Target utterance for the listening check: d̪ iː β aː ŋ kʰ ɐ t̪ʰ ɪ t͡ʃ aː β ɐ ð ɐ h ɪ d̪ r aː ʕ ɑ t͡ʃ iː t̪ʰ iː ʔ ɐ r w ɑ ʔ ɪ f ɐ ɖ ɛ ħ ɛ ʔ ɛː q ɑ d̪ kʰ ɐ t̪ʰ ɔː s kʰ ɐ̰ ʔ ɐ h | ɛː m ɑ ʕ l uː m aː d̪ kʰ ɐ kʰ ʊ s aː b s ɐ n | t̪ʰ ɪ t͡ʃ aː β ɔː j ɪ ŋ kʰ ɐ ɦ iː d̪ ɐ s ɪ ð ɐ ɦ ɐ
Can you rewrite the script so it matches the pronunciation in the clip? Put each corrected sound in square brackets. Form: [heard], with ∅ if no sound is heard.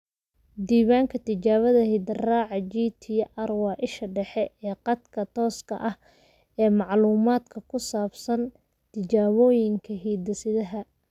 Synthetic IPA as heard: d̪ iː β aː ŋ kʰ ɐ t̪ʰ ɪ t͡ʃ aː β ɐ ð ɐ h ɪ d̪ r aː ʕ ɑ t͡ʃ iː t̪ʰ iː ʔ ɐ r w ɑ ʔ ɪ [ʃ] ɐ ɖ ɛ ħ ɛ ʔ ɛː q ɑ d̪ kʰ ɐ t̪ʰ ɔː s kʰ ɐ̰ ʔ ɐ h | ɛː m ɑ ʕ l uː m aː d̪ kʰ ɐ kʰ ʊ s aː b s ɐ n | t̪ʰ ɪ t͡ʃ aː β ɔː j ɪ ŋ kʰ ɐ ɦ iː d̪ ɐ s ɪ ð ɐ ɦ ɐ